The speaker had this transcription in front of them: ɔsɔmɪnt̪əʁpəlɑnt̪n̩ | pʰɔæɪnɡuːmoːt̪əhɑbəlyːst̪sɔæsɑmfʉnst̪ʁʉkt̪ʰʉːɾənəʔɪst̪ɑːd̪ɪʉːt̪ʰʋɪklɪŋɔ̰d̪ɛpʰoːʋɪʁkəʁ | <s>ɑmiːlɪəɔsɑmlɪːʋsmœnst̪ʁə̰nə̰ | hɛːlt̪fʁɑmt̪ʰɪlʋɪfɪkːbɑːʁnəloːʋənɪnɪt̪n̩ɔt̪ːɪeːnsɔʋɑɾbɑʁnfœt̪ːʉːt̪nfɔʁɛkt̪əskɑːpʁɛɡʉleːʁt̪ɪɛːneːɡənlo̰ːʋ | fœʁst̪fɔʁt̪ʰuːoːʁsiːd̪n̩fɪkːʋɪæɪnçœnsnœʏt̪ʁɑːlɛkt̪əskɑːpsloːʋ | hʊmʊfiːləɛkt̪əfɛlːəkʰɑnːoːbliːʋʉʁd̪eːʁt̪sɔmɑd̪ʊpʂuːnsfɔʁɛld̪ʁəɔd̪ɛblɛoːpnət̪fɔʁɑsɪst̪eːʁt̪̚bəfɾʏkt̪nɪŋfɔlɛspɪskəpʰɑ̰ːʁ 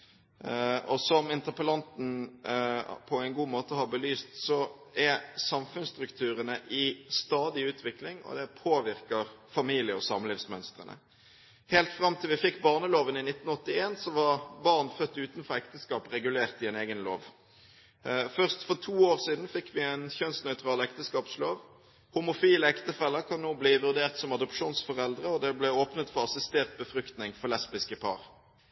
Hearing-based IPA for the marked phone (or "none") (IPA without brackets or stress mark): f